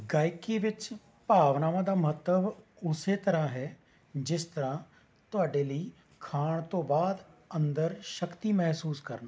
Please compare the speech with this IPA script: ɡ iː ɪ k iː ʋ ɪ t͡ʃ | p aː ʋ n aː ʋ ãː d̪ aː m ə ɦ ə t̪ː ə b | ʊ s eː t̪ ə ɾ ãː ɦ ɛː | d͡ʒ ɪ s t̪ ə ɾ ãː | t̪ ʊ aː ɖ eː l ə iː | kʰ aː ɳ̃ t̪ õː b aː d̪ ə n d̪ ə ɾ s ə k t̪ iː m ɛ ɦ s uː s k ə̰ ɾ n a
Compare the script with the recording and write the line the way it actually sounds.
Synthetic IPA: ɡ aː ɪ k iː ʋ ɪ t͡ʃ | p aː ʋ n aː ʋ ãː d̪ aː m ə ɦ ə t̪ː ə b | ʊ s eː t̪ ə ɾ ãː ɦ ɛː | d͡ʒ ɪ s t̪ ə ɾ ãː | t̪ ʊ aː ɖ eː l ə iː | kʰ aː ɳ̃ t̪ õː b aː d̪ ə n d̪ ə ɾ ʃ ə k t̪ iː m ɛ ɦ s uː s k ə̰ ɾ n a